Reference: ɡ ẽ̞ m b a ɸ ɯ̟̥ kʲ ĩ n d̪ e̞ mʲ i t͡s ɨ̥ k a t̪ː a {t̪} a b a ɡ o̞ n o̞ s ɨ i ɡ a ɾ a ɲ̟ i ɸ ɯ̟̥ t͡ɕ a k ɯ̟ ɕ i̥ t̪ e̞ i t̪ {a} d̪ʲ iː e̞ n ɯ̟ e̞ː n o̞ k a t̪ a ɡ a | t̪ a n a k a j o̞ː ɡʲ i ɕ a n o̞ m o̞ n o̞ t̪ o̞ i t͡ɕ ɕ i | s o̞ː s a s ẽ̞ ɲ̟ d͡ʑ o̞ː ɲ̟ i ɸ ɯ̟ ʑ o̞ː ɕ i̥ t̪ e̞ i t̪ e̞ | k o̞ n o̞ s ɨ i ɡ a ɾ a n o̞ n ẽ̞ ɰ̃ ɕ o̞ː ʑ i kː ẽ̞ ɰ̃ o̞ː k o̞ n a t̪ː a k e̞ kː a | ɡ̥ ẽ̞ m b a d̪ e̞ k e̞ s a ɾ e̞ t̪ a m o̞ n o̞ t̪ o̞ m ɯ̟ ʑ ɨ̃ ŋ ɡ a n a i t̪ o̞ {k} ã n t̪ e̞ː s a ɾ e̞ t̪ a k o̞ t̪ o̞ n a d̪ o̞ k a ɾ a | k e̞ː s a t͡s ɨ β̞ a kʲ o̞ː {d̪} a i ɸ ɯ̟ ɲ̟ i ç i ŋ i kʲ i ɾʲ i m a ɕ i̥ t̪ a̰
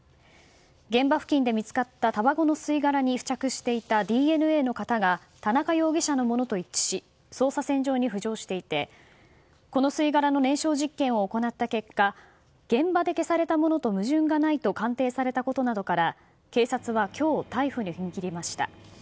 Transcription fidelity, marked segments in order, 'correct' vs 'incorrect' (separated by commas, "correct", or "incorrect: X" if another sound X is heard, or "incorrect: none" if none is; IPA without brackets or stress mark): correct, correct, correct, incorrect: t̪